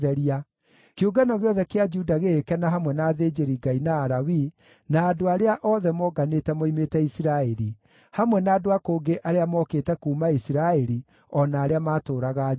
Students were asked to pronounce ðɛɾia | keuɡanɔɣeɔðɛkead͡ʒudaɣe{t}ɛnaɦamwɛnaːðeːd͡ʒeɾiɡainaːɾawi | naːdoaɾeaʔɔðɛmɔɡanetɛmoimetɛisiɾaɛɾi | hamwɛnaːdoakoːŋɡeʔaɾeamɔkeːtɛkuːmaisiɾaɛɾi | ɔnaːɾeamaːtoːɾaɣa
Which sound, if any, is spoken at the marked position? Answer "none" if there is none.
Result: k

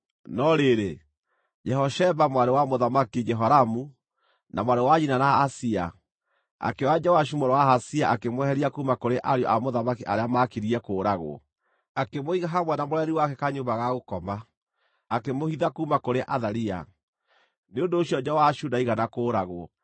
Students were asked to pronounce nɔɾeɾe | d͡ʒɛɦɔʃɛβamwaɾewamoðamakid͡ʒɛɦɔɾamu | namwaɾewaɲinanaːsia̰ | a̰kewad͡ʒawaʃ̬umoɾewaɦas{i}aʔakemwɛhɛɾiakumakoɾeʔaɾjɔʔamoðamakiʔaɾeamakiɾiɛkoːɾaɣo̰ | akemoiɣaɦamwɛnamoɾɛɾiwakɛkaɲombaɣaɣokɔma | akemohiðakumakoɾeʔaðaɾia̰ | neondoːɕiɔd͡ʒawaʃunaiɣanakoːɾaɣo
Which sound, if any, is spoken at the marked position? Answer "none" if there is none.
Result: i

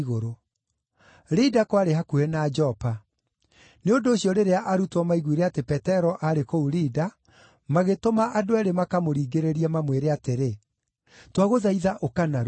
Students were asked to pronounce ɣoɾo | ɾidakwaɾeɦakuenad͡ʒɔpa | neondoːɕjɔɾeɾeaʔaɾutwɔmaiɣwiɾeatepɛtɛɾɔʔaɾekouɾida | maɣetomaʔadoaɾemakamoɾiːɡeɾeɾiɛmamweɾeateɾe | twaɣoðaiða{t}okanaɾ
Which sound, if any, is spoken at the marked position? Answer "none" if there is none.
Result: ʔ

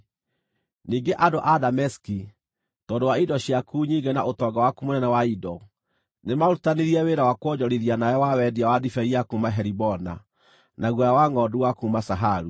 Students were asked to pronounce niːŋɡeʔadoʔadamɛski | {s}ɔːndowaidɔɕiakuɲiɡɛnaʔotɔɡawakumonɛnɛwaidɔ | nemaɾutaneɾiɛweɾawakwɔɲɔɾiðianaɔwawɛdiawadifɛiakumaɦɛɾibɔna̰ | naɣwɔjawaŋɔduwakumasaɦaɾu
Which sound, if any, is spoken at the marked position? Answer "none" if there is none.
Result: t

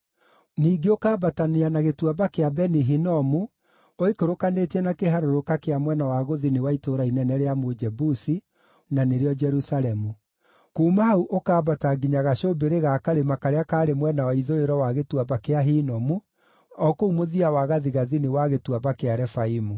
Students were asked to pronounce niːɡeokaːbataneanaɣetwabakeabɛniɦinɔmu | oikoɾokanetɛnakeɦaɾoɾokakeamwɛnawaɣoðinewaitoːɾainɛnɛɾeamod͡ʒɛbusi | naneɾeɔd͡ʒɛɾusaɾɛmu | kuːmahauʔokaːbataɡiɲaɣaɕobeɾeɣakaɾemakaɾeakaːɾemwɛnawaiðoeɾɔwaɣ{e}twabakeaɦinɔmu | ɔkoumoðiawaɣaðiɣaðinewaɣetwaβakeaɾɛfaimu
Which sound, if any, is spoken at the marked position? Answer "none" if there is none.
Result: e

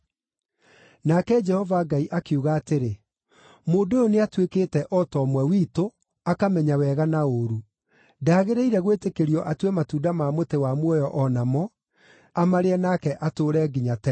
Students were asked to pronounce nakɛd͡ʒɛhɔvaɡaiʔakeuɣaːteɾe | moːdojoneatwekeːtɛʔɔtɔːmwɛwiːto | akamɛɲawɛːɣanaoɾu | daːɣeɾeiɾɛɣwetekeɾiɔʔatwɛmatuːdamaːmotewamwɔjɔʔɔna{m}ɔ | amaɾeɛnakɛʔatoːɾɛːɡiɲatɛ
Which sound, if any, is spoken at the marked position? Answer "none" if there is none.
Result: m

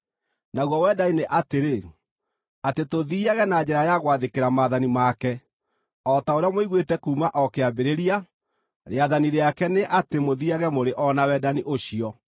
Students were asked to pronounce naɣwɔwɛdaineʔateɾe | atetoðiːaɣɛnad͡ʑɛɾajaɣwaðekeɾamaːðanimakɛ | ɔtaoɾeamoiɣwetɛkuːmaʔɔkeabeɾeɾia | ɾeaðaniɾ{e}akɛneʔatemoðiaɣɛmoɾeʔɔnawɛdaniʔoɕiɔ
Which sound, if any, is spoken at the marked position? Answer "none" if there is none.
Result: e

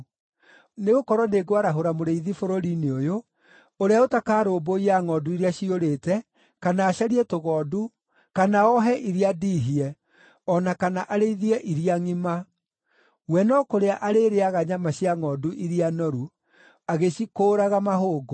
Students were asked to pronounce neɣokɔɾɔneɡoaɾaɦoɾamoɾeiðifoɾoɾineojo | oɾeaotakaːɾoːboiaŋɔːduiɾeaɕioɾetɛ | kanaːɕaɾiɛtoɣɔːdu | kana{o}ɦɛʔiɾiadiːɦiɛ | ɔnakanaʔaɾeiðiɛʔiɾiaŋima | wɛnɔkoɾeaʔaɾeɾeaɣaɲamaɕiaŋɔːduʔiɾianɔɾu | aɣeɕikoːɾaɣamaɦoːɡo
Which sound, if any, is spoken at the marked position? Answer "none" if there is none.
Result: ɔ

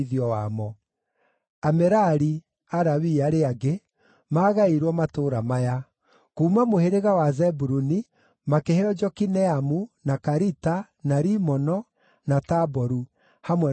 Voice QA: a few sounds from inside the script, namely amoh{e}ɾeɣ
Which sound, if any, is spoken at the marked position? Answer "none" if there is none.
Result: e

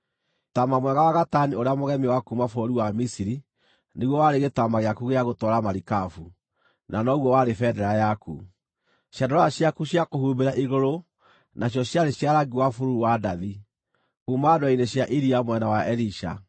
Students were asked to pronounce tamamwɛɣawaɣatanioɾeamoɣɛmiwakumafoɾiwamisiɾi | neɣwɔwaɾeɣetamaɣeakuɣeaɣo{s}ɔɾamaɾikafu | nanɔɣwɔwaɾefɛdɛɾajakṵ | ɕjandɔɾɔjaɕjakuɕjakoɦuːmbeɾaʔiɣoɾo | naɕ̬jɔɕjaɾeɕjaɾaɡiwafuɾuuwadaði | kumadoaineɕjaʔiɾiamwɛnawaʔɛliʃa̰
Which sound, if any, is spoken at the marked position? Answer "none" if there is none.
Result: t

